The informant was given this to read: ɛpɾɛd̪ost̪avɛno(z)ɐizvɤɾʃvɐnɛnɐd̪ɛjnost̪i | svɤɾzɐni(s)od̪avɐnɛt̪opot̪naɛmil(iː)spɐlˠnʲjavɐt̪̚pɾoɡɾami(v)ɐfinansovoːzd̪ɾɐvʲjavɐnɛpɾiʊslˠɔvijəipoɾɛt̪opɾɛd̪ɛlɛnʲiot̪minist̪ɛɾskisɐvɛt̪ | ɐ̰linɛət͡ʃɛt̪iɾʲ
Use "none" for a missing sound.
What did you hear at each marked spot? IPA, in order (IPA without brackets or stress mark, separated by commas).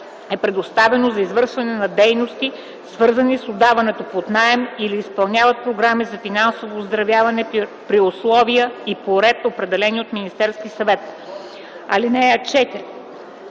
z, s, iː, z